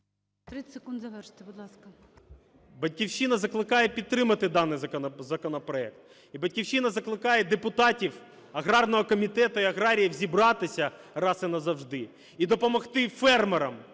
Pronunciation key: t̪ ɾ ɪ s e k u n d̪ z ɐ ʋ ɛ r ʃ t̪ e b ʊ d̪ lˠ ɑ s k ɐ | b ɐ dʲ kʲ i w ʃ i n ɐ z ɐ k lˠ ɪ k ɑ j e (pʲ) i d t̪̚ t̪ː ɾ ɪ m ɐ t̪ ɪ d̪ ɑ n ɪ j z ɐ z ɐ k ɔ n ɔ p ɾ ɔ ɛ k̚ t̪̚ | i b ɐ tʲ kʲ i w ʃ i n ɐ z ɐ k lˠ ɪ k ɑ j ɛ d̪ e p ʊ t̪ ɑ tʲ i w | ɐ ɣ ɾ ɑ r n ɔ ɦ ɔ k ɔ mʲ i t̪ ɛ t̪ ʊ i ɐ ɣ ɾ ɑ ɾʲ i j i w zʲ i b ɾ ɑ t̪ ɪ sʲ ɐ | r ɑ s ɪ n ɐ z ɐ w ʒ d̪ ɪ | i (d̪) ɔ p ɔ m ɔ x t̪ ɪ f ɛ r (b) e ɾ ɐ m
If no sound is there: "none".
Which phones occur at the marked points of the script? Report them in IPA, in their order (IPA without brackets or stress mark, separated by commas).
pʲ, d̪, m